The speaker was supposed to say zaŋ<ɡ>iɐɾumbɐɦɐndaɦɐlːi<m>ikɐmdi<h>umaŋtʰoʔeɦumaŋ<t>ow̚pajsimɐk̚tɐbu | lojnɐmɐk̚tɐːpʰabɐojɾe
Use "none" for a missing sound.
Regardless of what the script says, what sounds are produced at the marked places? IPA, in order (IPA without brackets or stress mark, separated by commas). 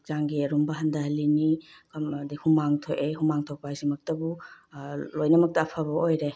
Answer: ɡ, n, h, tʰ